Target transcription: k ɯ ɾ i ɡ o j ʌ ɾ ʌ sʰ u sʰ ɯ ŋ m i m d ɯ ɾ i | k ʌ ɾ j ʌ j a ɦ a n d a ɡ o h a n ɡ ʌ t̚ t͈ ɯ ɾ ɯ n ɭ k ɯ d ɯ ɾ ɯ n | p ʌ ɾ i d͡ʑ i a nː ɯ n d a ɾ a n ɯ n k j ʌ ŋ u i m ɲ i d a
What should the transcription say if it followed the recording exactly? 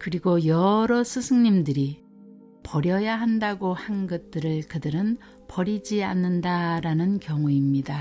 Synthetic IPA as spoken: k ɯ ɾ i ɡ o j ʌ ɾ ʌ sʰ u sʰ ɯ ŋ ɲ i m d ɯ ɾ i | p ʌ ɾ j ʌ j a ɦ a n d a ɡ o h a n ɡ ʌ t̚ t͈ ɯ ɾ ɯ ɭ k ɯ d ɯ ɾ ɯ n | p ʌ ɾ i d͡ʑ i a nː ɯ n d a ɾ a n ɯ n k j ʌ ŋ u i m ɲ i d a